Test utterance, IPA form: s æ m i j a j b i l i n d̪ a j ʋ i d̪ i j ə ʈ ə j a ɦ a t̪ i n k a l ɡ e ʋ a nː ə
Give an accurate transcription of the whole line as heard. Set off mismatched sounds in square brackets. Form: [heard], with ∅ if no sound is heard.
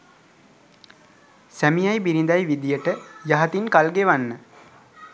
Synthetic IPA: s æ m i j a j b i [ɾ] i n d̪ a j ʋ i d̪ i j ə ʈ ə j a ɦ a t̪ i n k a l ɡ e ʋ a nː ə